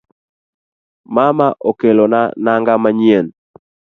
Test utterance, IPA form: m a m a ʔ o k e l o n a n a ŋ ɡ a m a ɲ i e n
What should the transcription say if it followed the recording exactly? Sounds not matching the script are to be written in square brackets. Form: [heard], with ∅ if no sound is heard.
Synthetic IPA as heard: m a m a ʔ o k e l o n a n a ŋ ɡ a m a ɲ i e n